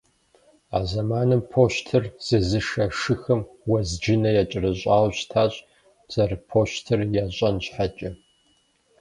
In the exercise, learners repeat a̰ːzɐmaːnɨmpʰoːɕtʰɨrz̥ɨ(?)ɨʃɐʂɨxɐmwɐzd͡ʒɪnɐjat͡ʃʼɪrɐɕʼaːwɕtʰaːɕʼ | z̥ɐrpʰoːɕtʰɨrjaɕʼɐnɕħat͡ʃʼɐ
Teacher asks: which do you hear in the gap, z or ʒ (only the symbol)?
z